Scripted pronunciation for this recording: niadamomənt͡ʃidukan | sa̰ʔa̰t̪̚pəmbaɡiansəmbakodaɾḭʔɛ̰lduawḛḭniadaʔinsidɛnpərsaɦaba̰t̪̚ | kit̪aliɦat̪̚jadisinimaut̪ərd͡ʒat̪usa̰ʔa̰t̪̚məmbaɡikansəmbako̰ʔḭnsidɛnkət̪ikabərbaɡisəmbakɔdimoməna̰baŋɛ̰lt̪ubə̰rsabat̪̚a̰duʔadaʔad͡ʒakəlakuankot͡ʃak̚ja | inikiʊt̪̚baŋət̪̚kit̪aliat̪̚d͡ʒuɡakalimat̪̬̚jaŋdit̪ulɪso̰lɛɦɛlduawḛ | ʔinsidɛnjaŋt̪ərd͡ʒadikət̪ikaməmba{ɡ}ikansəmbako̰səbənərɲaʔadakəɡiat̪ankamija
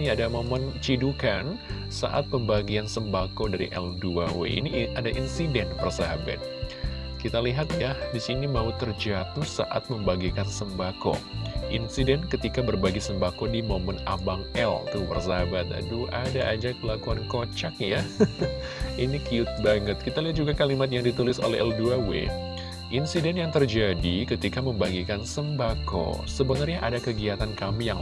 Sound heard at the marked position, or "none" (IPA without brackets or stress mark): ɡ